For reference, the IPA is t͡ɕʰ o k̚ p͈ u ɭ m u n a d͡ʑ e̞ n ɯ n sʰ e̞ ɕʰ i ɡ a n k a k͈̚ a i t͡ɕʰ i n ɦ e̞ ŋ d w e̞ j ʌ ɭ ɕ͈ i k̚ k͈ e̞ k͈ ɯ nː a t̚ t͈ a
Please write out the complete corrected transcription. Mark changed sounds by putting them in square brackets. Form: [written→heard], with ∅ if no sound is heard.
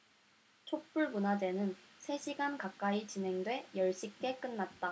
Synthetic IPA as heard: t͡ɕʰ o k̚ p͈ u ɭ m u n a d͡ʑ e̞ n ɯ n sʰ e̞ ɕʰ i ɡ a n k a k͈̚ a i [t͡ɕʰ→t͡ɕ] i n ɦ e̞ ŋ d w e̞ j ʌ ɭ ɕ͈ i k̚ k͈ e̞ k͈ ɯ nː a t̚ t͈ a